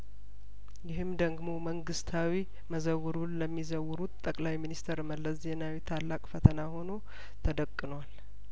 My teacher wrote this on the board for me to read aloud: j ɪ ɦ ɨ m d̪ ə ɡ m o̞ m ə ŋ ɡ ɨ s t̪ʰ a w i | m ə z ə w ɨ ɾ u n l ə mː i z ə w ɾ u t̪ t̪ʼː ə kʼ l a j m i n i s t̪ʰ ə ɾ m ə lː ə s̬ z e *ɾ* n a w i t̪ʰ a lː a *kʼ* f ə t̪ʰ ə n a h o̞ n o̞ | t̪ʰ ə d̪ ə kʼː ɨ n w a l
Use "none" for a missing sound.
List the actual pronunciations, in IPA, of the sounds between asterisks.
none, kʼ

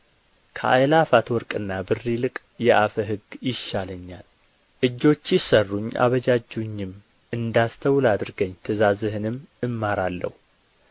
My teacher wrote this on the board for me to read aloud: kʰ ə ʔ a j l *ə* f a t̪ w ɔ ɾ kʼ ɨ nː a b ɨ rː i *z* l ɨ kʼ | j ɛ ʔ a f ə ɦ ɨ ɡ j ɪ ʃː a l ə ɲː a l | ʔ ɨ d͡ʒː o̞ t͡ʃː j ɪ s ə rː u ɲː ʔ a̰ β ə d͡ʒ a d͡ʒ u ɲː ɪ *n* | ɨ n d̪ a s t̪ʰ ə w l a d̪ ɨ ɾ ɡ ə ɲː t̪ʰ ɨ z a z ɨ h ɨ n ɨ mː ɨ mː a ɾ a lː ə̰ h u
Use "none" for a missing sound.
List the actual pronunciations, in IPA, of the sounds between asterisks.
a, none, m

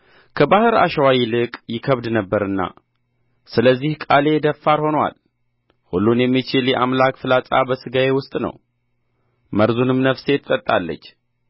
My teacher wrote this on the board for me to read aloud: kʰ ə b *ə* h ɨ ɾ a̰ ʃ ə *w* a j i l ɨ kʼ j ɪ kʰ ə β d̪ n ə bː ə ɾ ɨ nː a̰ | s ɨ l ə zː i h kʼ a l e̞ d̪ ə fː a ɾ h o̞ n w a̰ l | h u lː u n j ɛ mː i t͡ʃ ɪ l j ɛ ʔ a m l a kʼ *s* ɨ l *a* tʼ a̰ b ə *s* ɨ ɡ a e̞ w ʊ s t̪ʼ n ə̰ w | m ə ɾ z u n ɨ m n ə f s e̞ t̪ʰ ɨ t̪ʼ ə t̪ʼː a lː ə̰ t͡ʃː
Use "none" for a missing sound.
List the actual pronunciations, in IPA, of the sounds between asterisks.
a, w, f, a, s

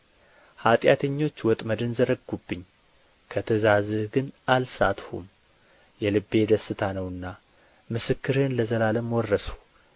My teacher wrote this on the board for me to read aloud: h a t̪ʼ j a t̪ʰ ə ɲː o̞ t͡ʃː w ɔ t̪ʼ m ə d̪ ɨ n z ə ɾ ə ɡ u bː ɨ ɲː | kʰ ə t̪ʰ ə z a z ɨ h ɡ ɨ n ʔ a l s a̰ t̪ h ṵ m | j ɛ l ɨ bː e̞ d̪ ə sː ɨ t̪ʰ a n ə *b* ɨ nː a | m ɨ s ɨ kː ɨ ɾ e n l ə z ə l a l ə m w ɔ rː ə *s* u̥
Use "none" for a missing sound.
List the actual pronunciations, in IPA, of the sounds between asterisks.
w, s

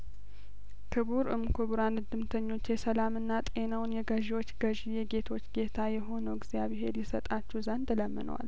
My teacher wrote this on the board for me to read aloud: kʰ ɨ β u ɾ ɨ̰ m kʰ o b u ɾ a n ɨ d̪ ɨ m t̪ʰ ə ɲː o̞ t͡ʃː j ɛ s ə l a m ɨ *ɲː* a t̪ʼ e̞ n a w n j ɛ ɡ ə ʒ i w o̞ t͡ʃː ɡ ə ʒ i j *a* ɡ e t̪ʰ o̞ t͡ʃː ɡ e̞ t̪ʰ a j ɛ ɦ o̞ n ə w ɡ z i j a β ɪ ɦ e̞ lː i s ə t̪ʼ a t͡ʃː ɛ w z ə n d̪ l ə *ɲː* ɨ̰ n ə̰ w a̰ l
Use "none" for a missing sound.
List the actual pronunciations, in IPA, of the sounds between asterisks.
nː, ɛ, mː

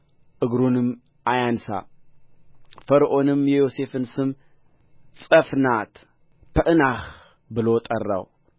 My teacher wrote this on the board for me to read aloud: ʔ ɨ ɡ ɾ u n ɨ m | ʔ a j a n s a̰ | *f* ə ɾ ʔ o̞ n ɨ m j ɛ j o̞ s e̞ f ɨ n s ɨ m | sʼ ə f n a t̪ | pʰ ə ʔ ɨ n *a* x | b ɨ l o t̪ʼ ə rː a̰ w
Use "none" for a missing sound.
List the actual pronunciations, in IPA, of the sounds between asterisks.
f, a

